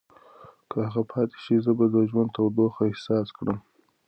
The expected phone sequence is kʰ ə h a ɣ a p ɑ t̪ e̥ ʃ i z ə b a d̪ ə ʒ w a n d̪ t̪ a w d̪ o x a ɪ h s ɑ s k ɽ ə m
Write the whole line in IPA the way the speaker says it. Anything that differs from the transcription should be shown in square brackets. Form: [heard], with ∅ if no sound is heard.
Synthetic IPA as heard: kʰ ə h a ɣ a [pʰ] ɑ t̪ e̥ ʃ i z ə b a d̪ ə ʒ w a n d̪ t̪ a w d̪ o x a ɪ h s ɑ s k ɽ ə m